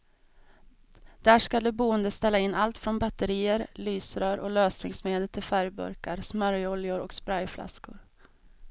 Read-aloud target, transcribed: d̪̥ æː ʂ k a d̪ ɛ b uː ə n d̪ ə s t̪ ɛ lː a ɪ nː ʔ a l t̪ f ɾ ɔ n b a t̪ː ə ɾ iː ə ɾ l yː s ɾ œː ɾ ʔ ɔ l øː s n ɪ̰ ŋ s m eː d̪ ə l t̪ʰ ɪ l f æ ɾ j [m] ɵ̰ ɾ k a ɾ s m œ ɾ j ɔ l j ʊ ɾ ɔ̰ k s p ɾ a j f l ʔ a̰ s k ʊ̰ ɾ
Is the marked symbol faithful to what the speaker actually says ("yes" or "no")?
no